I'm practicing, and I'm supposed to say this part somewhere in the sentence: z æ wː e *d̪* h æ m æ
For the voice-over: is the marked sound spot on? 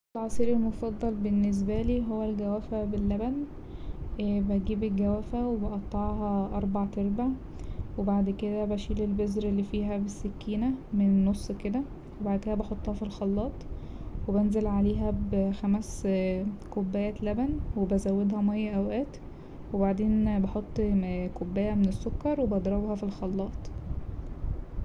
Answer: yes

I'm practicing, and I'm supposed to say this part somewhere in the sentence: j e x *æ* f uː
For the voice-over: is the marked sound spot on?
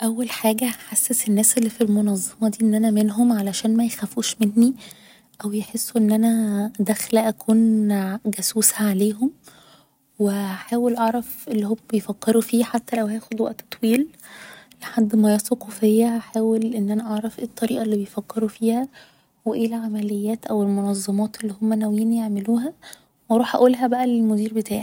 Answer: yes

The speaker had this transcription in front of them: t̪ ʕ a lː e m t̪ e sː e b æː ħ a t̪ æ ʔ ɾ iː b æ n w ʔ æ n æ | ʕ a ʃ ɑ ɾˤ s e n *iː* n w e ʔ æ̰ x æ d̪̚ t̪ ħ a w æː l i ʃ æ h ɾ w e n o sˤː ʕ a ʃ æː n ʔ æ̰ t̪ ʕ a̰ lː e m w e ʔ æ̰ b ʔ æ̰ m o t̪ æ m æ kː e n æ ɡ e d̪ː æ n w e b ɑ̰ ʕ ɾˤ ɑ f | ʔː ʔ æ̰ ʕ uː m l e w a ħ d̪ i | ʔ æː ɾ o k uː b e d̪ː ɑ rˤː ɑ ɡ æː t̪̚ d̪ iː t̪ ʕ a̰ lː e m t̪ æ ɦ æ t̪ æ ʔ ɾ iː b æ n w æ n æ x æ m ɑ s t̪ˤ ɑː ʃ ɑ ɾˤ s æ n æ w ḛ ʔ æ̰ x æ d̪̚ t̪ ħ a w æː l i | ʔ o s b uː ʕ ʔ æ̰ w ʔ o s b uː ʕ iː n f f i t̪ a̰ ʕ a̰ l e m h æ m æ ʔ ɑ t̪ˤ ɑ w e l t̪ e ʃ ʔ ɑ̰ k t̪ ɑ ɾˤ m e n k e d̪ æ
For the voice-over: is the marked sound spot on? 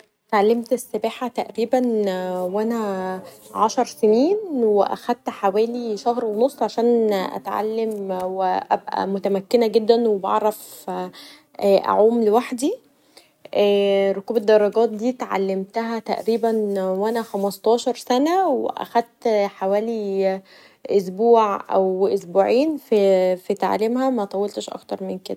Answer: yes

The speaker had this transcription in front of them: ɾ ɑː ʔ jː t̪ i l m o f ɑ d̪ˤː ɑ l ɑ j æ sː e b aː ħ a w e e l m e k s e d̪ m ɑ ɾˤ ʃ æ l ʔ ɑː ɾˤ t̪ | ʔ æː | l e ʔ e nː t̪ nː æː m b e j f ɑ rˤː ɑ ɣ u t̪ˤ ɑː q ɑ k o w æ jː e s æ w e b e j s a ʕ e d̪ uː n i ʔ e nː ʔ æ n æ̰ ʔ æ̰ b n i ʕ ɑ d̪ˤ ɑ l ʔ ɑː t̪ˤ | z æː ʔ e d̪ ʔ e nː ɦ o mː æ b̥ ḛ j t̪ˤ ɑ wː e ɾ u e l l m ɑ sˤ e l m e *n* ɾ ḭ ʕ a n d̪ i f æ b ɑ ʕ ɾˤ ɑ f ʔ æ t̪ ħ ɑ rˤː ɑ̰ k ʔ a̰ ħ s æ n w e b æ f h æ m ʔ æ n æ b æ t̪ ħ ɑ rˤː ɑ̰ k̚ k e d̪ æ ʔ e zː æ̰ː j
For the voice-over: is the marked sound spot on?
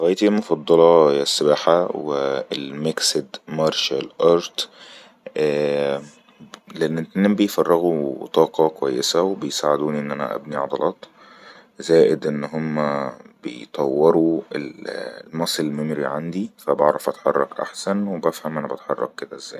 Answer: no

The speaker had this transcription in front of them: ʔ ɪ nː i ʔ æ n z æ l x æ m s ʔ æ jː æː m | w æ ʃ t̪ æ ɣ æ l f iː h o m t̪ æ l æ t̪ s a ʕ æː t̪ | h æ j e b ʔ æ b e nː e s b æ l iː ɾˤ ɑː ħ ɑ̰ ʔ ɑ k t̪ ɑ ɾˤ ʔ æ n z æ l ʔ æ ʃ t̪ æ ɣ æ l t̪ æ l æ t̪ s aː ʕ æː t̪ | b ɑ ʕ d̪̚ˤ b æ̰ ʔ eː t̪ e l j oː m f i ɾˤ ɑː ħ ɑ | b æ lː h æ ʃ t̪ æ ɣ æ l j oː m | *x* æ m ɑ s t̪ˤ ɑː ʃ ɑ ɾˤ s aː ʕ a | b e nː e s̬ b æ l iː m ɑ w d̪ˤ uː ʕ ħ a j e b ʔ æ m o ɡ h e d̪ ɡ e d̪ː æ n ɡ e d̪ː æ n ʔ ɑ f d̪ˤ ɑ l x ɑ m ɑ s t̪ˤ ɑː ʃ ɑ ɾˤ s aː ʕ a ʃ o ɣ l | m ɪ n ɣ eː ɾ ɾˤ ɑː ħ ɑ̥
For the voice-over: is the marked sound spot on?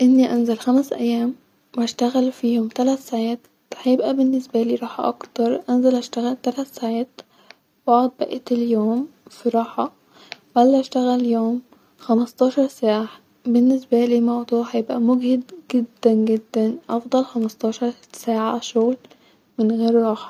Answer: yes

